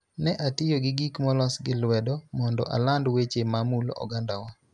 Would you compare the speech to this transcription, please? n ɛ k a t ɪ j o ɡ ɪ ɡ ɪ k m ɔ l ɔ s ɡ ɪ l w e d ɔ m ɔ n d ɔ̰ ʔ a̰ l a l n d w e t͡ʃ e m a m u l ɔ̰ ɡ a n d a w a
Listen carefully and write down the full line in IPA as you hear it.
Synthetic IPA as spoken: n ɛ ʔ a t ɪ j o ɡ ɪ ɡ i k m ɔ l ɔ s ɡ ɪ l w ɛ d ɔ m ɔ n d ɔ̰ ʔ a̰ l a n d w e t͡ʃ e m a m u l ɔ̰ ɡ a n d a w a